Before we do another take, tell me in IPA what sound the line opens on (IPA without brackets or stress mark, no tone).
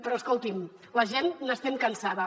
p